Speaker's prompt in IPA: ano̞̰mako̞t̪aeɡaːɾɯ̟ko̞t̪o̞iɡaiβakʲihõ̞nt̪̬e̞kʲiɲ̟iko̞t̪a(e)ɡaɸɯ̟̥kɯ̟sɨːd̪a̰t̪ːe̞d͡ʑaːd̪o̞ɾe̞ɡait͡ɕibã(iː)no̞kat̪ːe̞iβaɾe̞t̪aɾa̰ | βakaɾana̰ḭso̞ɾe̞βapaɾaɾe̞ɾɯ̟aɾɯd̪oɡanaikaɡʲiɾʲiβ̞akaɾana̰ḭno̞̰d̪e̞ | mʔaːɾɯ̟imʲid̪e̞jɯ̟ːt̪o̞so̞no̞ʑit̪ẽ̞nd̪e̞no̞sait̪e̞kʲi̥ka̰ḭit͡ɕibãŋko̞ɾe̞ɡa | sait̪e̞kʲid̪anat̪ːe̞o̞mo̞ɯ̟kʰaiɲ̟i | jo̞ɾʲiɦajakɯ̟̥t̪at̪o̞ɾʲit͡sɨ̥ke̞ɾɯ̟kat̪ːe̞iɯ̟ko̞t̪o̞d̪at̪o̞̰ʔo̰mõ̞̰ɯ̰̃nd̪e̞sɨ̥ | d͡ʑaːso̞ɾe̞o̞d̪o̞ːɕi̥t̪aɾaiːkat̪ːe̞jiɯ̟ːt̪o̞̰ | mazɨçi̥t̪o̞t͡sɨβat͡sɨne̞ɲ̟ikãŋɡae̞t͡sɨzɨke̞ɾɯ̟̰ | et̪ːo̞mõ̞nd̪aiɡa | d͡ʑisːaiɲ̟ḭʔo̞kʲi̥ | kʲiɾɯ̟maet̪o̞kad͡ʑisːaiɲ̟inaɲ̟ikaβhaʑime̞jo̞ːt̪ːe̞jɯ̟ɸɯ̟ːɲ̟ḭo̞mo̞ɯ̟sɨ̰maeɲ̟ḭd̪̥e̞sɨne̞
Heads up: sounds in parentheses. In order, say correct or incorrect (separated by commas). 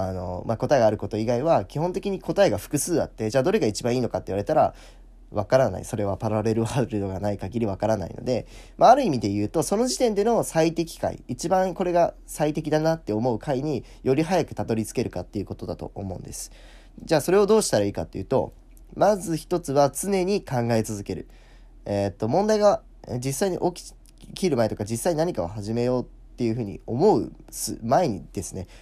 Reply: correct, correct